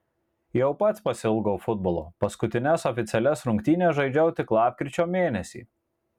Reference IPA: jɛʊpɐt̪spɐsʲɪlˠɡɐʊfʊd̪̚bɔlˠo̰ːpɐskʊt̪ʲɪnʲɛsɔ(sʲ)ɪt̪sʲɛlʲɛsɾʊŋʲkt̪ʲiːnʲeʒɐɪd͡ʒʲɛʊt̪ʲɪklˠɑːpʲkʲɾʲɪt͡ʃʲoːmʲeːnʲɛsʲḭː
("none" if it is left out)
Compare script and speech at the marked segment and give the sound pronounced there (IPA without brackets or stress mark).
fʲ